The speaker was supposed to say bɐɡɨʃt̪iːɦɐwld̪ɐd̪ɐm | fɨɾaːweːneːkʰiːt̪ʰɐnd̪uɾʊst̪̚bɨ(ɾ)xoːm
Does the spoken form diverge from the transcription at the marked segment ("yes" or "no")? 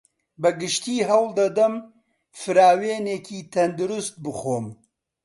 yes